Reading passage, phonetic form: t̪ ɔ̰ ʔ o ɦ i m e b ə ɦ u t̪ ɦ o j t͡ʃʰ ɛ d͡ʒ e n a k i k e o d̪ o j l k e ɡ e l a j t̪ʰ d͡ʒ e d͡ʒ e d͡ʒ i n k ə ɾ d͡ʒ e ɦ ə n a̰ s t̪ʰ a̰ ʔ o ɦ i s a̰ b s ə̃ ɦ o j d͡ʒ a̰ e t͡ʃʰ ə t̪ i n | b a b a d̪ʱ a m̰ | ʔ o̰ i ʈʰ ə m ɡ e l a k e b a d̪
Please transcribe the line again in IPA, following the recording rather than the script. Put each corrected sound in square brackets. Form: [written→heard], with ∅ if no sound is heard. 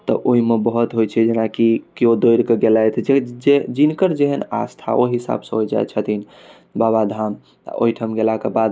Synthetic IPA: t̪ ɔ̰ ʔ o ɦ i m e b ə ɦ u t̪ ɦ o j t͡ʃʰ ɛ d͡ʒ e n a k i k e o d̪ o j [l→ɾ] k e ɡ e l a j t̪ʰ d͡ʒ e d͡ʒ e d͡ʒ i n k ə ɾ d͡ʒ e ɦ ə n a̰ s t̪ʰ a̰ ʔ o ɦ i s a̰ b s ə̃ ɦ o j d͡ʒ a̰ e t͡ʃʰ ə t̪ i n | b a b a d̪ʱ a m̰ | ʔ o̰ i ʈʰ ə m ɡ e l a k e b a d̪